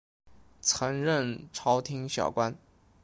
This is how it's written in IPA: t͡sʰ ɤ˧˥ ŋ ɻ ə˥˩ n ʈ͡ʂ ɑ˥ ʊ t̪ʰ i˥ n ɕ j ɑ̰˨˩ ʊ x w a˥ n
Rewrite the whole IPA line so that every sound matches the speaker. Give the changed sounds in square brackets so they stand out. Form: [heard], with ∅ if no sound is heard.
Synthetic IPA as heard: t͡sʰ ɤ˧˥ ŋ ɻ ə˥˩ n [ʈ͡ʂʰ] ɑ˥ ʊ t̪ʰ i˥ [ŋ] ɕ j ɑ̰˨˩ ʊ [k] w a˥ n